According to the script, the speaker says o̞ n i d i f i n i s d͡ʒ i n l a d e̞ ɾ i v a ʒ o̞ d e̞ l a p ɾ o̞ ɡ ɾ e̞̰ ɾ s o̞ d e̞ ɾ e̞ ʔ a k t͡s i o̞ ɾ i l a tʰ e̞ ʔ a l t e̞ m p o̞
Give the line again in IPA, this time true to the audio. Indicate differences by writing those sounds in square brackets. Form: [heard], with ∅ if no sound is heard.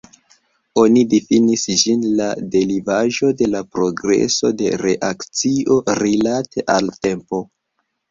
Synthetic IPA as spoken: o̞ n i d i f i n i s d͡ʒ i n l a d e̞ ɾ i v a ʒ o̞ d e̞ l a p ɾ o̞ ɡ ɾ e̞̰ [∅] s o̞ d e̞ ɾ e̞ ʔ a k t͡s i o̞ ɾ i l a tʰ e̞ ʔ a l t e̞ m p o̞